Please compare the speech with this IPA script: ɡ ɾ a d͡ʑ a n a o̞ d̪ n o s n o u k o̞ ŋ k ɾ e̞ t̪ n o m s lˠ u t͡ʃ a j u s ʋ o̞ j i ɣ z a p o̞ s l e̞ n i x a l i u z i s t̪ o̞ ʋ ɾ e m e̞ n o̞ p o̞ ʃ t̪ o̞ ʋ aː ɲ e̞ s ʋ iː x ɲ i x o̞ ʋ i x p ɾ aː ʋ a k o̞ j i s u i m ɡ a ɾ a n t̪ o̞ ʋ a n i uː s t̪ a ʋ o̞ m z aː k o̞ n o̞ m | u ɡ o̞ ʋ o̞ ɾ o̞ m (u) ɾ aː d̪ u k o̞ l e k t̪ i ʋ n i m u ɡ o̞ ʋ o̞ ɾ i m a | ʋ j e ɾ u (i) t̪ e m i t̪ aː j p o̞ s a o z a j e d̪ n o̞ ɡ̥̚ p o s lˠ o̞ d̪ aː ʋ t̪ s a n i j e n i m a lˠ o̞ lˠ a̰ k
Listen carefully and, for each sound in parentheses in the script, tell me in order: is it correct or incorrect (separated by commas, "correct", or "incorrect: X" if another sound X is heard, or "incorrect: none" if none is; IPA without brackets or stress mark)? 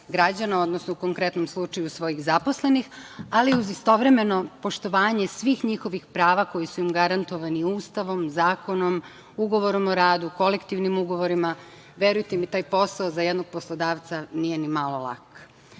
incorrect: o, incorrect: j